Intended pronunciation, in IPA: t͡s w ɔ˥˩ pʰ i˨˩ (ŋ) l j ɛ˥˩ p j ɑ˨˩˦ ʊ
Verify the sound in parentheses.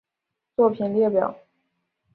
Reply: incorrect: n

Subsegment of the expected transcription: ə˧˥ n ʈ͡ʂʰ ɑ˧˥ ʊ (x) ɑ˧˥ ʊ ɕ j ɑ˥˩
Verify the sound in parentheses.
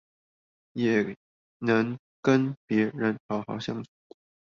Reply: correct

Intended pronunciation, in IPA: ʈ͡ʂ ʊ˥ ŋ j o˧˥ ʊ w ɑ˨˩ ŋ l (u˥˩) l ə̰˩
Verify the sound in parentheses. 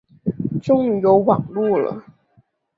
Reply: correct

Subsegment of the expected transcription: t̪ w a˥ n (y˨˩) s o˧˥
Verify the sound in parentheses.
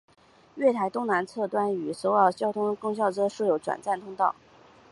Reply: correct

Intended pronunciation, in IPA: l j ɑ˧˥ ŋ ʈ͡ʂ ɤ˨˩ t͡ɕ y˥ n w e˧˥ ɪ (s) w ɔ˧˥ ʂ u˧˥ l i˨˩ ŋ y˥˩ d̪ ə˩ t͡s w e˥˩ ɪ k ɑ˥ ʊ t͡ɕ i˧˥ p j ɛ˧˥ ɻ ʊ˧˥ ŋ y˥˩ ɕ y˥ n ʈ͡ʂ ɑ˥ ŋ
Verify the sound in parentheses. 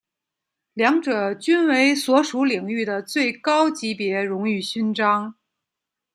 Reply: correct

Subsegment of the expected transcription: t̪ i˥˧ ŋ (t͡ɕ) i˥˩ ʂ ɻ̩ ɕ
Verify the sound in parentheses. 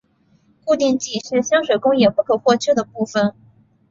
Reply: correct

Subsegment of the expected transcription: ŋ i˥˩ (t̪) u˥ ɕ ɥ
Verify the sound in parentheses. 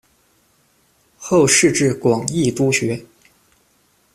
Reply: correct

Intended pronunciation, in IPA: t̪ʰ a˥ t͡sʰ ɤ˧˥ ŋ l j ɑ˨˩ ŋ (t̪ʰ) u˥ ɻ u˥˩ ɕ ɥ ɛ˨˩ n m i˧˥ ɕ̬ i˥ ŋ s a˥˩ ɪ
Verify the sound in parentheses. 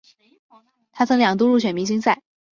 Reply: incorrect: t̪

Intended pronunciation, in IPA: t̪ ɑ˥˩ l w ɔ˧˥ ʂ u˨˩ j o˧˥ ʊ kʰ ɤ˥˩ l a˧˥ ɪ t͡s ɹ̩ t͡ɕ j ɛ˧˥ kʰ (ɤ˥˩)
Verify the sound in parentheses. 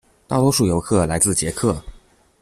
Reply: correct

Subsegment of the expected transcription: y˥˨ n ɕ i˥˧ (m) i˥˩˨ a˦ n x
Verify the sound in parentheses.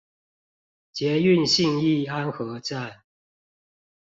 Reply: incorrect: ŋ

